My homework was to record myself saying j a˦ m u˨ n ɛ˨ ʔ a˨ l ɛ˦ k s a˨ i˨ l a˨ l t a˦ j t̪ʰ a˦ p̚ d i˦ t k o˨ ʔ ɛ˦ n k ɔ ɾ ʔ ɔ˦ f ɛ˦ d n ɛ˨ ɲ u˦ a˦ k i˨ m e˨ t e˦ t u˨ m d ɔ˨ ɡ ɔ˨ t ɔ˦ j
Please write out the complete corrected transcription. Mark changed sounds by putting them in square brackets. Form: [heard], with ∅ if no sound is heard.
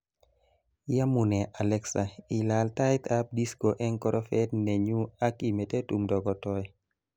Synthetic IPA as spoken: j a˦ m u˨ n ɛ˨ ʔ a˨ l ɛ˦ k s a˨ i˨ l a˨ l t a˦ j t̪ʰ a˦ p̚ d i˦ [s] k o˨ ʔ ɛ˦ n k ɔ ɾ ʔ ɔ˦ f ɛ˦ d n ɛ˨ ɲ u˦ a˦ k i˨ m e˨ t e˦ t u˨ m d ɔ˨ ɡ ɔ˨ t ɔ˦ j